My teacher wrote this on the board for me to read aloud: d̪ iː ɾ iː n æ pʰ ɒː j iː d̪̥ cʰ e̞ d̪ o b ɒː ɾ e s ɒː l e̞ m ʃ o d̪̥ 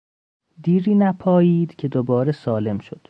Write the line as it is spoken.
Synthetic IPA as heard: d̪ iː ɾ iː n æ pʰ ɒː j iː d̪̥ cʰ e̞ d̪ o b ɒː ɾ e s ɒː l e̞ m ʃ o d̪̥